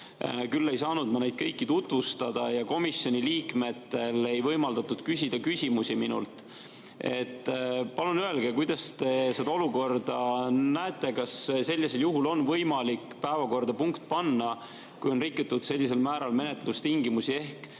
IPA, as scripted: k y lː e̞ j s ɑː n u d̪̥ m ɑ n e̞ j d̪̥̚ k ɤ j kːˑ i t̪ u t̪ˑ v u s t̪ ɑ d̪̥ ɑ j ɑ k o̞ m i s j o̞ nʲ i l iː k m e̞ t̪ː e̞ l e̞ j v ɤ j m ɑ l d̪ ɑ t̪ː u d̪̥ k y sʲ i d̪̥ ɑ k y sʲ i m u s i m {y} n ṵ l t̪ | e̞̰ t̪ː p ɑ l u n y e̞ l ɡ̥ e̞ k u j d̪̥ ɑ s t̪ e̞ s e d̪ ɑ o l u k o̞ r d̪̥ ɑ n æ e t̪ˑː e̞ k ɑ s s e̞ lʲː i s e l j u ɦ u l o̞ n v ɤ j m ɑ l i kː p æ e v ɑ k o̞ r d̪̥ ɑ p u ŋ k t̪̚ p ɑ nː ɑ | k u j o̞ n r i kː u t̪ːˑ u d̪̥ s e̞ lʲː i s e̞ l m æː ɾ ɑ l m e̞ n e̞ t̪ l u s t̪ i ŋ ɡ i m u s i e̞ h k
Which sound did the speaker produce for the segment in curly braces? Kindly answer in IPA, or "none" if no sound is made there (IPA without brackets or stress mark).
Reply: i